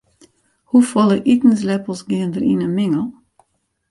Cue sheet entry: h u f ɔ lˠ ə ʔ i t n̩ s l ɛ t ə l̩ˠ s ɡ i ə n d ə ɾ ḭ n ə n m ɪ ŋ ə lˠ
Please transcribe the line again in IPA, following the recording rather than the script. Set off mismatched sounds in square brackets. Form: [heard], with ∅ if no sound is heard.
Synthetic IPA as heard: h u f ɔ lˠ ə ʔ i t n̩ s l ɛ [p] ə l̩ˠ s ɡ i ə n d ə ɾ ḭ n ə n m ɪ ŋ ə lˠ